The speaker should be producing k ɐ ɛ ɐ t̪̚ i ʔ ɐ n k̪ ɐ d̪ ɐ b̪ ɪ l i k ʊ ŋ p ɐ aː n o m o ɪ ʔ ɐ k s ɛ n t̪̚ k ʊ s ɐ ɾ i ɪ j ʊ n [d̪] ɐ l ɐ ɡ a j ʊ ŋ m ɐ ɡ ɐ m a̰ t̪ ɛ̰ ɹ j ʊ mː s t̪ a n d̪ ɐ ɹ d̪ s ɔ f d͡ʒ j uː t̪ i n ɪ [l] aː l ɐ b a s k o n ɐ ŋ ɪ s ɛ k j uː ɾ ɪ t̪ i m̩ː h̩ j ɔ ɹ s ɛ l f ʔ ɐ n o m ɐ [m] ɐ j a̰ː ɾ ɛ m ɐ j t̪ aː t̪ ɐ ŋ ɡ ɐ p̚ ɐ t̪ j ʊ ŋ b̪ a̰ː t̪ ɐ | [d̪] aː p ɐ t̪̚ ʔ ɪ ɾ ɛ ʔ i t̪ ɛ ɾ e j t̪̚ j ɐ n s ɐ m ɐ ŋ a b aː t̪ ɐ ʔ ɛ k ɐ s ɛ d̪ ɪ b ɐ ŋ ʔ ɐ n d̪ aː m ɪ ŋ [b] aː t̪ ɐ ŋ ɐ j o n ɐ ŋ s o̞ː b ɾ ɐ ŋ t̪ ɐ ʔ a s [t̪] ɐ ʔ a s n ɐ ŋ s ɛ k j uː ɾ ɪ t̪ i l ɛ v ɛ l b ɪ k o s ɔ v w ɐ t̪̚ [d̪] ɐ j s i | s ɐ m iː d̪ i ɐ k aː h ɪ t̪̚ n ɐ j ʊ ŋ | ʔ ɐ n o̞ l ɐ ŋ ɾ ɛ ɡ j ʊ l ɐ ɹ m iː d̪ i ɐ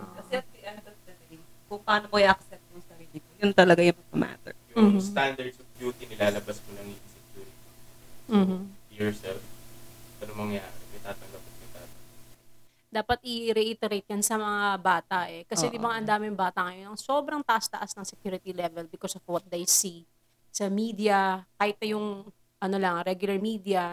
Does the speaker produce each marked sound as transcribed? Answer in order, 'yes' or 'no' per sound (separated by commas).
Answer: no, yes, no, yes, yes, yes, yes